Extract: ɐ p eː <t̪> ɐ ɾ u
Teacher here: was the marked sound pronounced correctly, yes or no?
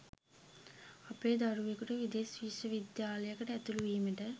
no